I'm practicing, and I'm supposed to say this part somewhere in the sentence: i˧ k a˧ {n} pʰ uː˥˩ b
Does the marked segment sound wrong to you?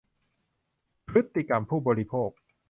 yes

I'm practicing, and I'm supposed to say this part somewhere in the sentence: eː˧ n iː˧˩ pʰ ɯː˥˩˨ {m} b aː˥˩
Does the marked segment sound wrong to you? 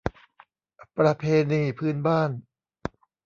yes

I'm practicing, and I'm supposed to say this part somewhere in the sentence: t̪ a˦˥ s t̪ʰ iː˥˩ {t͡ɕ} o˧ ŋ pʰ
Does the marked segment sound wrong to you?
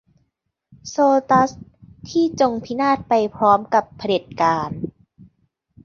no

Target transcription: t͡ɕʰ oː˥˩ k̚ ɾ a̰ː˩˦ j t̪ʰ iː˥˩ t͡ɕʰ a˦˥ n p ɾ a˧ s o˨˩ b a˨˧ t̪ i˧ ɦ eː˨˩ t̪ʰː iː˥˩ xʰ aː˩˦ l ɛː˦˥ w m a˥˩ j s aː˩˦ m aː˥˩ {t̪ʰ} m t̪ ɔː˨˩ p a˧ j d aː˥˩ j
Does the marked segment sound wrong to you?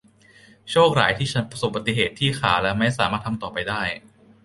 no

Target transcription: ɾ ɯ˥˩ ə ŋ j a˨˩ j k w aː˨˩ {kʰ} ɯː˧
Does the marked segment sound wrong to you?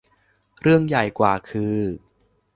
no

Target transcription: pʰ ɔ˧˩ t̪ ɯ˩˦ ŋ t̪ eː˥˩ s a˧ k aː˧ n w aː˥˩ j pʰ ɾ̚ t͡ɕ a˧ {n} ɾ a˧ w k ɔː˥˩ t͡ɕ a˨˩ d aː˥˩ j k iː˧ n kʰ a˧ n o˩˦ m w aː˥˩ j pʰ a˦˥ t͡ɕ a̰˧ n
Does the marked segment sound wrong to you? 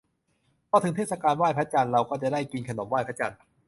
no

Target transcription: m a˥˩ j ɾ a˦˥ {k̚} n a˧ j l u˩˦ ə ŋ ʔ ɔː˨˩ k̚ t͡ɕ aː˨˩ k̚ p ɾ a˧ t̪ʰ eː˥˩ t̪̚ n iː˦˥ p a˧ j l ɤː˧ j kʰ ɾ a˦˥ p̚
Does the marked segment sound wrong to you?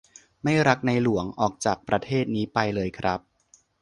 no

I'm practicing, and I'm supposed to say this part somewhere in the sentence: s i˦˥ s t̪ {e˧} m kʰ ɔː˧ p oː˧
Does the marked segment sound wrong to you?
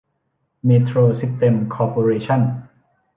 no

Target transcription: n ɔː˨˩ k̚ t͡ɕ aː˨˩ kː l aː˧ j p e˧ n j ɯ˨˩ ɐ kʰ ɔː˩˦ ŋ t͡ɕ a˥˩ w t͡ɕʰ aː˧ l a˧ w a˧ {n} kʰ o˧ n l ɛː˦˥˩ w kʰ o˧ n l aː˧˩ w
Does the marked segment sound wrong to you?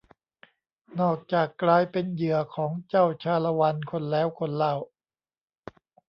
no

